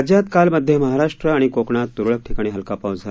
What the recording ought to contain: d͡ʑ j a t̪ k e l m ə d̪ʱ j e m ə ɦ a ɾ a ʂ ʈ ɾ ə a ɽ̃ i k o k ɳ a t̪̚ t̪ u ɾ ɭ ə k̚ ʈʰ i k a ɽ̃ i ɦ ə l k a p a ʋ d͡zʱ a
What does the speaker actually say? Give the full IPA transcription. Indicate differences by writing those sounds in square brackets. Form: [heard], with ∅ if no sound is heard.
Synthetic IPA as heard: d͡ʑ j a t̪ k [a] l m ə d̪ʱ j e m ə ɦ a ɾ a ʂ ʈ ɾ ə a ɽ̃ i k o k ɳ a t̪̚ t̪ u ɾ ɭ ə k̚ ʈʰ i k a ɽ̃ i ɦ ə l k a p a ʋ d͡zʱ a